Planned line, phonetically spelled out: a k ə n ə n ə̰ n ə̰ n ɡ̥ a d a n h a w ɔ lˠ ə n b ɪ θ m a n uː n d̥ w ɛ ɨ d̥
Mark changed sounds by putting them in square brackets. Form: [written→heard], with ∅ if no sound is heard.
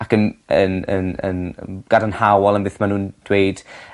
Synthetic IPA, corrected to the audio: a k ə n ə n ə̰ n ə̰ n ɡ̥ a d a n h a w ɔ lˠ ə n b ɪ θ m a n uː n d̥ w [ɛ→e] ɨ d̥